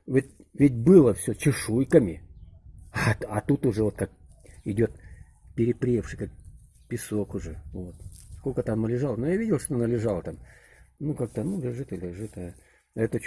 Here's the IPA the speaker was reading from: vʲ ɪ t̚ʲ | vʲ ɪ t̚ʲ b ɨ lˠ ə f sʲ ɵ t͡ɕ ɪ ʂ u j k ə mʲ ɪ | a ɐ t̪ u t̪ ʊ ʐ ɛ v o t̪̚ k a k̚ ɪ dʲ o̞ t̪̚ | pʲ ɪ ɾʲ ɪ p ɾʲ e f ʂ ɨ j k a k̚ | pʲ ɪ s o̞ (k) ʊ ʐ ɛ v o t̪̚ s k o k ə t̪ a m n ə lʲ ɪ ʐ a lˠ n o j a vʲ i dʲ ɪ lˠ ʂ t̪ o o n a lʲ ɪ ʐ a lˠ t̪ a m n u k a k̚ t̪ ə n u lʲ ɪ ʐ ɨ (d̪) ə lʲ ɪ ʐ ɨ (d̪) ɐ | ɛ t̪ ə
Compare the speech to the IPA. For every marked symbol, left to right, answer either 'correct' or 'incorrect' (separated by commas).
correct, incorrect, incorrect